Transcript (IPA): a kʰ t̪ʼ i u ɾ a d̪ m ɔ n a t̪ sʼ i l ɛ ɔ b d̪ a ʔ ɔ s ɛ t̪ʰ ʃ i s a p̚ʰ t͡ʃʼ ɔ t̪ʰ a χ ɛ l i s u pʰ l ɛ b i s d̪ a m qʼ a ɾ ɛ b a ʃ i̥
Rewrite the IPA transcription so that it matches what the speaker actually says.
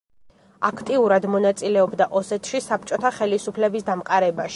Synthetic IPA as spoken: a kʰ t̪ʼ i u ɾ a d̪ m ɔ n a t̪ sʼ i l ɛ ɔ b d̪ a ʔ ɔ s ɛ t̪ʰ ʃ i s a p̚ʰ t͡ʃʼ ɔ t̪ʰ a χ ɛ l i s u pʰ l ɛ b i s d̪ a m qʼ a ɾ ɛ b a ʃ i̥